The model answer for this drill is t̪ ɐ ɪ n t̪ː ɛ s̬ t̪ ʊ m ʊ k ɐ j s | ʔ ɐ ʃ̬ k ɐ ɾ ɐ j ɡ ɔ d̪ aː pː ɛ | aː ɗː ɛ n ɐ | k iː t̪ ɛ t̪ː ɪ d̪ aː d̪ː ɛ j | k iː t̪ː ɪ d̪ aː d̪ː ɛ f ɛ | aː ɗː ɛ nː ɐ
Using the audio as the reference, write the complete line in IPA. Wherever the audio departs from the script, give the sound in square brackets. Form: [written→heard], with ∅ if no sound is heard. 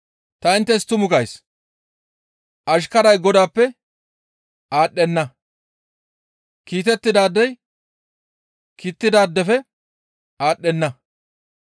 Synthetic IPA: t̪ ɐ ɪ n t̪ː ɛ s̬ t̪ ʊ m ʊ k ɐ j s | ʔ ɐ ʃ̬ k ɐ ɾ ɐ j ɡ ɔ d̪ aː pː ɛ | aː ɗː ɛ [n→nː] ɐ | k iː t̪ ɛ t̪ː ɪ d̪ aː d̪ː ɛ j | k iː t̪ː ɪ d̪ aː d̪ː ɛ f ɛ | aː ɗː ɛ nː ɐ